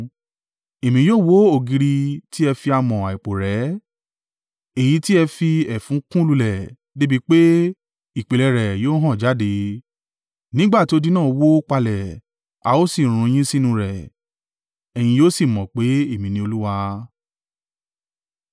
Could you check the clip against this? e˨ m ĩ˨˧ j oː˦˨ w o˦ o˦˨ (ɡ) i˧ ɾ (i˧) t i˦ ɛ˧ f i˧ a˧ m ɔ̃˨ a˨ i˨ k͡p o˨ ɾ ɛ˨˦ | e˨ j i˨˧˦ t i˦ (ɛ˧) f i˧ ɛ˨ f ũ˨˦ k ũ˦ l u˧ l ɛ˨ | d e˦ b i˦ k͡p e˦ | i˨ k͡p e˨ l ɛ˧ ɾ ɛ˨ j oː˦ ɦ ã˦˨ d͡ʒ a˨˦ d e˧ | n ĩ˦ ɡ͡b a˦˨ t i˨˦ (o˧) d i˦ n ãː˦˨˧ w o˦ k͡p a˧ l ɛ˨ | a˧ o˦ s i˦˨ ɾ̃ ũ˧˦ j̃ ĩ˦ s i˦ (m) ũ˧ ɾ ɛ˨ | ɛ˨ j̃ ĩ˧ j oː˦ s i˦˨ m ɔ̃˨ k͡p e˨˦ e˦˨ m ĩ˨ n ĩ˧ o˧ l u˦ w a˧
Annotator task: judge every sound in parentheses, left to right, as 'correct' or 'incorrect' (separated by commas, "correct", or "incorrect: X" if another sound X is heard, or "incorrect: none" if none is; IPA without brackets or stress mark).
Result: correct, correct, correct, correct, incorrect: n